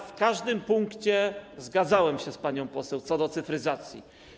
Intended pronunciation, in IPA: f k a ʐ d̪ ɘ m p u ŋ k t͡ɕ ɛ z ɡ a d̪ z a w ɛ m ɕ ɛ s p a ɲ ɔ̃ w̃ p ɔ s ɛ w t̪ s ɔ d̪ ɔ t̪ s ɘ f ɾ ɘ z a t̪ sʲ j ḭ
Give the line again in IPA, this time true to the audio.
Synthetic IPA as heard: f k a ʐ d̪ ɘ m p u ŋ k t͡ɕ ɛ z ɡ a d̪ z a w ɛ m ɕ ɛ s p a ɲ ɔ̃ w̃ p ɔ s ɛ w t̪ s ɔ d̪ ɔ t̪ s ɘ f ɾ ɘ z a t̪ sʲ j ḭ